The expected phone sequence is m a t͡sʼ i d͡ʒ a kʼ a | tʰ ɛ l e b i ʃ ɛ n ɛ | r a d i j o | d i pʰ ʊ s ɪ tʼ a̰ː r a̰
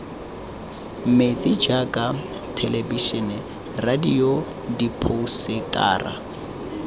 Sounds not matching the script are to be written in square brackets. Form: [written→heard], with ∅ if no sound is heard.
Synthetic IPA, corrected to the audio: m [a→e] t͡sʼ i d͡ʒ a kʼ a | tʰ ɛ l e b i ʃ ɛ n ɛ | r a d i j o | d i pʰ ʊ s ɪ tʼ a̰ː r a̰